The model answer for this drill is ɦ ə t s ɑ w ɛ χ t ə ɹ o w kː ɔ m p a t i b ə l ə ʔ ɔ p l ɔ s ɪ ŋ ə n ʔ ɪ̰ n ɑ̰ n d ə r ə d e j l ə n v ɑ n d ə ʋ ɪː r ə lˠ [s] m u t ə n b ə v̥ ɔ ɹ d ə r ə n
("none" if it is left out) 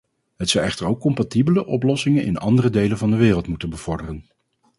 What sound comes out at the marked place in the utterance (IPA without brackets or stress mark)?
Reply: t